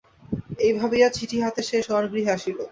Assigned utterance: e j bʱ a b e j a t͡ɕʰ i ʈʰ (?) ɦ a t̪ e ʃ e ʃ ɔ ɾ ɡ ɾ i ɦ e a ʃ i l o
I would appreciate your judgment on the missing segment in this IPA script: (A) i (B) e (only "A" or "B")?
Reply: A